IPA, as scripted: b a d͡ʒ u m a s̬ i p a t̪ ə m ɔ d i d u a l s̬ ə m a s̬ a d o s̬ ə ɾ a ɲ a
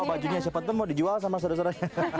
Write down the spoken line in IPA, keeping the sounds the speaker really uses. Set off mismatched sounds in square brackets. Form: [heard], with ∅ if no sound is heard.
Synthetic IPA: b a d͡ʒ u [ɲ] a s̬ [a] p a t̪ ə m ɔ d i [d͡ʒ] u a l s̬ [a] m a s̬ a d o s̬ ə ɾ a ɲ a